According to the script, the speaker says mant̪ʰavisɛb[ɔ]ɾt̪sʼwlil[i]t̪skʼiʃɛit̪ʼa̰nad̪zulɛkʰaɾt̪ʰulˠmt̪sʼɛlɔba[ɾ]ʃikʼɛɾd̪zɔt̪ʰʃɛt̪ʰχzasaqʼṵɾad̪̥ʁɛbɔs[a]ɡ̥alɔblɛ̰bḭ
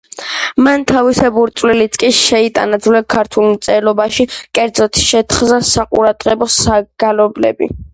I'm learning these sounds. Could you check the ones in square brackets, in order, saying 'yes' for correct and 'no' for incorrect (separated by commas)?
no, yes, no, yes